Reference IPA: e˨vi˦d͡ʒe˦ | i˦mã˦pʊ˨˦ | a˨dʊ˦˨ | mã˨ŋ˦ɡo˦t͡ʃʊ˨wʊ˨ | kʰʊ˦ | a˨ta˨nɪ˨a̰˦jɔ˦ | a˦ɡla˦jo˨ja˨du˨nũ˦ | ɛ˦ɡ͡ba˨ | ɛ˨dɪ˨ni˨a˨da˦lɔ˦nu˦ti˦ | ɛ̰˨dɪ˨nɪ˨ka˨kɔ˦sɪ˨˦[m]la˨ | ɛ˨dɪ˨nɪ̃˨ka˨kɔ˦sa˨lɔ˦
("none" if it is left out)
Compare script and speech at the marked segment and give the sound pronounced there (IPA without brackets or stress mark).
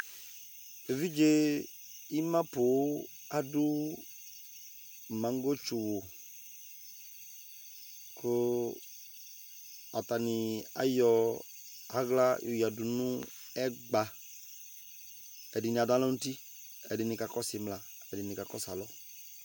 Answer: m